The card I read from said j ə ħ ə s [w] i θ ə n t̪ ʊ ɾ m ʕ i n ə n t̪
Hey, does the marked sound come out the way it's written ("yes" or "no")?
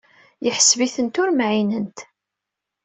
no